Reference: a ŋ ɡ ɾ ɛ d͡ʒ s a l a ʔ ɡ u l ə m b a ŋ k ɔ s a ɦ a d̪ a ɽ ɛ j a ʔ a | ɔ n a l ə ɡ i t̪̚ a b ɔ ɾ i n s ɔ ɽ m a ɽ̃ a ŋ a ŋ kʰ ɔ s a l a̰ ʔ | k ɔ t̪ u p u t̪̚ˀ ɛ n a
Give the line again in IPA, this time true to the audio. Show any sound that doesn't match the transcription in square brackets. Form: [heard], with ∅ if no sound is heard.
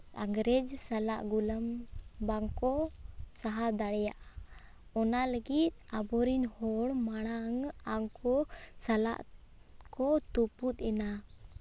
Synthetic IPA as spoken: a ŋ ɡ ɾ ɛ d͡ʒ s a l a ʔ ɡ u l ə m b a ŋ k ɔ s a ɦ a d̪ a ɽ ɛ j a ʔ a | ɔ n a l ə ɡ i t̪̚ a b ɔ ɾ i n [h] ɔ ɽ m a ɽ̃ a ŋ a ŋ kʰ ɔ s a l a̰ ʔ | k ɔ t̪ u p u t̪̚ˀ ɛ n a